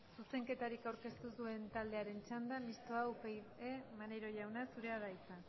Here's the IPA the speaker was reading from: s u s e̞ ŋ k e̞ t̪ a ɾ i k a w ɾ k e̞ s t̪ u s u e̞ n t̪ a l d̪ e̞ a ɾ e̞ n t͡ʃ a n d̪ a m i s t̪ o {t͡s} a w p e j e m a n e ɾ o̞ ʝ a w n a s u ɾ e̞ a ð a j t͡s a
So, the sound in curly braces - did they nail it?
no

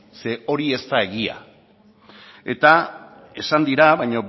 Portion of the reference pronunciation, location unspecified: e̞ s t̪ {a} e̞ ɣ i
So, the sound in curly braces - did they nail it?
yes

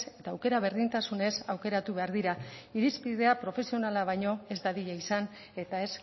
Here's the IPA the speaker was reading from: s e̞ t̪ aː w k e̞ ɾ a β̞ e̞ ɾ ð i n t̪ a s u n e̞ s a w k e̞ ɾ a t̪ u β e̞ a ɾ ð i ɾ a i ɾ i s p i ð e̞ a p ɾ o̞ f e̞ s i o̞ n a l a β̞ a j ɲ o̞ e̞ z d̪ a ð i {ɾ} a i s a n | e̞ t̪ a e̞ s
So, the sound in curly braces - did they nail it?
no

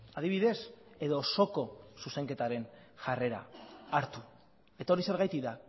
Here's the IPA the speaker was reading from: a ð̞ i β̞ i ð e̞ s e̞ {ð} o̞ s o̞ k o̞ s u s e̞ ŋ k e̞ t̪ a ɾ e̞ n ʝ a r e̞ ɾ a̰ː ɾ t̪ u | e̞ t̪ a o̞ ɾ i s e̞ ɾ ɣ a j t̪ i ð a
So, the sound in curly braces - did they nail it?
yes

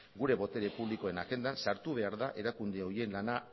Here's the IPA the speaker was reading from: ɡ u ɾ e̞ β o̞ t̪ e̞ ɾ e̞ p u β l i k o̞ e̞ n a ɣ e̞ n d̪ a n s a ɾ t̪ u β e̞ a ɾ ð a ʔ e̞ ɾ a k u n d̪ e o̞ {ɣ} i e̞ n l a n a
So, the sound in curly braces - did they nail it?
no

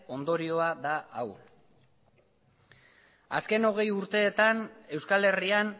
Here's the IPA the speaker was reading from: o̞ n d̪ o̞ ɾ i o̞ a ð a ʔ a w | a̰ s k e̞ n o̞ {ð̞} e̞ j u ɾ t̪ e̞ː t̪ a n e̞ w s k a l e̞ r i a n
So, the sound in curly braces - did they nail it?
no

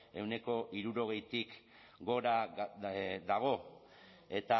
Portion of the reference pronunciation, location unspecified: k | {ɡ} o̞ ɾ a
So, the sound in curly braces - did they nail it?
yes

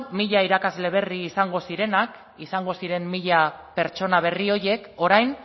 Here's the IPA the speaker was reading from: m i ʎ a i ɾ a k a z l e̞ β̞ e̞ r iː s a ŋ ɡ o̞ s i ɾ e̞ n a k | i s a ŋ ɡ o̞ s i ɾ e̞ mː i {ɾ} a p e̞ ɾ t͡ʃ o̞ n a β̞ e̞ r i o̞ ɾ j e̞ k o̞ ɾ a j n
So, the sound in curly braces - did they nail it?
no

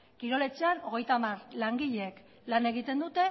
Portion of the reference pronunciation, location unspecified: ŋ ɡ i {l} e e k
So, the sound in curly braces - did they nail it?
no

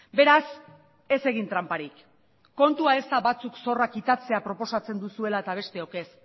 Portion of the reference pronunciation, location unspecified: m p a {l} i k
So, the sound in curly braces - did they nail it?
no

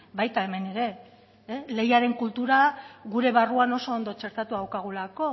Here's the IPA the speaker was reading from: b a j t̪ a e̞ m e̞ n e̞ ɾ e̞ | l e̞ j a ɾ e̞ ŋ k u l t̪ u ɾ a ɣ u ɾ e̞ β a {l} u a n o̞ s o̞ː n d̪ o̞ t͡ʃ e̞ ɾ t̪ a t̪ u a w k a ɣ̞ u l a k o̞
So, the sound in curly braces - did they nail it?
no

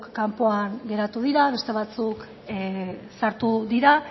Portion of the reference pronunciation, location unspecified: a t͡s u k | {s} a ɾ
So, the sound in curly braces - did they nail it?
yes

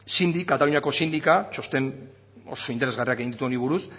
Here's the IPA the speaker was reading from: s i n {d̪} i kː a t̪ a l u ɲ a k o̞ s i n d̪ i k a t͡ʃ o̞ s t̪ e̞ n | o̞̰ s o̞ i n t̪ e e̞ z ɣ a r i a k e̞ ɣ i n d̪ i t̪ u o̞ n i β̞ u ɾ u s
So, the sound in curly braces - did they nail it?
yes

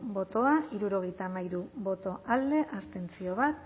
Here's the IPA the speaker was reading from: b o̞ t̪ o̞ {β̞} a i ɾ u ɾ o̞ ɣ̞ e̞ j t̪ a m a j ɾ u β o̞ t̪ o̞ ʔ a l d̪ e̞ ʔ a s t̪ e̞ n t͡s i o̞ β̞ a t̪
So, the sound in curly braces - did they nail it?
no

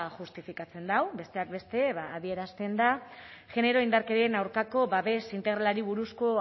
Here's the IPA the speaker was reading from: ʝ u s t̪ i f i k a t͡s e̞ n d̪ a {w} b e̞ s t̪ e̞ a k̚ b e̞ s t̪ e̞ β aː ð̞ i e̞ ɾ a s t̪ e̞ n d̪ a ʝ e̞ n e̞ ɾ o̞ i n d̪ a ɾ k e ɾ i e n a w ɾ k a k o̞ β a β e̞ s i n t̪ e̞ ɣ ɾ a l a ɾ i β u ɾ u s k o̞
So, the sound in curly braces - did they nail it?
yes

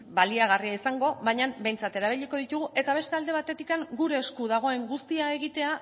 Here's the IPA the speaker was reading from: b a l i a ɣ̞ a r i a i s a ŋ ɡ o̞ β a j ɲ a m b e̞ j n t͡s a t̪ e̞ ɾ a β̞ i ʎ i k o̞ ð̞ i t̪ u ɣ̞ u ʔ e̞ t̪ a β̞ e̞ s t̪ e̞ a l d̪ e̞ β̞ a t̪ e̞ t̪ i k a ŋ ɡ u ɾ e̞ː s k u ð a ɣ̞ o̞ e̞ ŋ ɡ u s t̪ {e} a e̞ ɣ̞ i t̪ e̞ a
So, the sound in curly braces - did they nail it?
no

